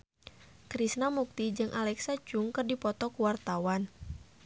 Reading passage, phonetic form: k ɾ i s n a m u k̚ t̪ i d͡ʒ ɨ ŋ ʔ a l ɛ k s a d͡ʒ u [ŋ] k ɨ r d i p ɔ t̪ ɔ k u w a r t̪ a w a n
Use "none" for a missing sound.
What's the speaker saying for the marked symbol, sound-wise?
ŋ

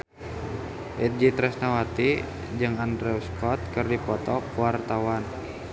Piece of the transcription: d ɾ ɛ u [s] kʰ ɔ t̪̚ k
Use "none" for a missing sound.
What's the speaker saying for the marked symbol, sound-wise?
s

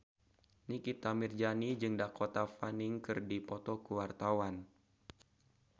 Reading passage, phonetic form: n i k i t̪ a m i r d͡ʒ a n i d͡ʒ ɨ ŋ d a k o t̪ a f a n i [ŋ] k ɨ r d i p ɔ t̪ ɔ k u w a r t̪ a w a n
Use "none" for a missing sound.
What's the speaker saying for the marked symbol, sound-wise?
ŋ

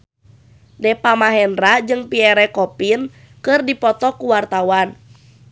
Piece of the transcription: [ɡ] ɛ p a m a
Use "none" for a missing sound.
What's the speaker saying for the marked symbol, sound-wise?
d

